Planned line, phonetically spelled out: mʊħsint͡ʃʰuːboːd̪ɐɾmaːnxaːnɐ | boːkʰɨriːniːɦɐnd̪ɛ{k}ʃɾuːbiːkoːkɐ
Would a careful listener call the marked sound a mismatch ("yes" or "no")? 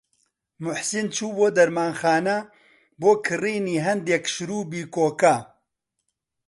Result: no